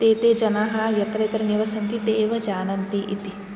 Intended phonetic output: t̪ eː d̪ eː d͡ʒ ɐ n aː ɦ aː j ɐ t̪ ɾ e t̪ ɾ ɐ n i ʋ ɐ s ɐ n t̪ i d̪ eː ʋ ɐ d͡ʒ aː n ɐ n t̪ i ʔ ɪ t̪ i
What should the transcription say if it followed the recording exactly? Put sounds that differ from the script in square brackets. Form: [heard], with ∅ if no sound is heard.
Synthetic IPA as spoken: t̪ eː [t̪] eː d͡ʒ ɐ n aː ɦ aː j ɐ t̪ ɾ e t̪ ɾ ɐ n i ʋ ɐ s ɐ n t̪ i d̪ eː ʋ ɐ d͡ʒ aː n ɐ n t̪ i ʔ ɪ t̪ i